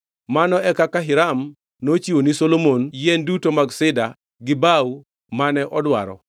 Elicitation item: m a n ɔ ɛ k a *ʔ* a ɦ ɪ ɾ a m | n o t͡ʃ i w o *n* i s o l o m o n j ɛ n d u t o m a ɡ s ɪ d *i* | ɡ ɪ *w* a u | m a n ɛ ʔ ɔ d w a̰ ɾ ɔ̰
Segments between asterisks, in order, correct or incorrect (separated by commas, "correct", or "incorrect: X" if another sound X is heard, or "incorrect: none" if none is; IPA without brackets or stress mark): incorrect: k, correct, incorrect: a, incorrect: b